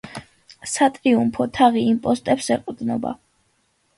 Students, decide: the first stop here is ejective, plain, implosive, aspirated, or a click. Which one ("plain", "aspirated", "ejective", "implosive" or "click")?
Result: ejective